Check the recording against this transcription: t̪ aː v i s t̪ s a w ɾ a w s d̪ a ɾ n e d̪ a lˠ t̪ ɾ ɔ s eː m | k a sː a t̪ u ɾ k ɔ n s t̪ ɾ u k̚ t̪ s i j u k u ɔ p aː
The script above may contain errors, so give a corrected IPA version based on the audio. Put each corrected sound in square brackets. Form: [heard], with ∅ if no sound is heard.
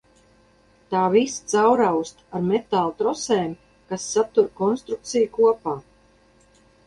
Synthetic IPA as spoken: t̪ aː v i s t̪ s a w ɾ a w s [t̪] a ɾ [m] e [t̪] a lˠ t̪ ɾ ɔ s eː m | k a sː a t̪ u ɾ k ɔ n s t̪ ɾ u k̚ t̪ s i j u k u ɔ p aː